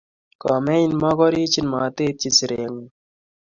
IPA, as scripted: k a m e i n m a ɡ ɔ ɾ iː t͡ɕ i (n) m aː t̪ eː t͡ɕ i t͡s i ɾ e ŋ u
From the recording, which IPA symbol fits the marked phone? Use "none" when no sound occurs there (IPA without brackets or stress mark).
n